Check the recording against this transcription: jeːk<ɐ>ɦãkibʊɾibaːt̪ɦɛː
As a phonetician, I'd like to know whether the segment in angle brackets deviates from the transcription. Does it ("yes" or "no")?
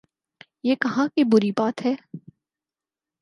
no